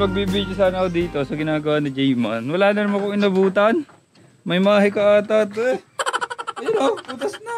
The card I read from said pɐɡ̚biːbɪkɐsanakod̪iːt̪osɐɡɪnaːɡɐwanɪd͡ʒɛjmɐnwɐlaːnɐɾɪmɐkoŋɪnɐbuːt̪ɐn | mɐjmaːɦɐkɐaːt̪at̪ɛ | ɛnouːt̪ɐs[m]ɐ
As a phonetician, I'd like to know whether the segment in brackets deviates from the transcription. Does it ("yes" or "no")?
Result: yes